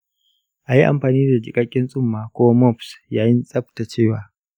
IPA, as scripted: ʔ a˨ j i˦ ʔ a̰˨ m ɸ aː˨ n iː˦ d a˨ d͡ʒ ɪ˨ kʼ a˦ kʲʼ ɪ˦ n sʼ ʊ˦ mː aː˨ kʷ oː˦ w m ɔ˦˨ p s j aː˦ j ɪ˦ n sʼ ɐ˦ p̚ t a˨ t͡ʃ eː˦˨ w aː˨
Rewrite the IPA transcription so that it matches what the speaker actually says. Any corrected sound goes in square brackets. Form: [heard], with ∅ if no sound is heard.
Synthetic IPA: ʔ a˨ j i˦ ʔ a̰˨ m ɸ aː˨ n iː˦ d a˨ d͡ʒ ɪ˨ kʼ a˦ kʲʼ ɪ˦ n sʼ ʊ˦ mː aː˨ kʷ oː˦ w m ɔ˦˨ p s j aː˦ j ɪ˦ n sʼ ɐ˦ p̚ t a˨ t͡ʃ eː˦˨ w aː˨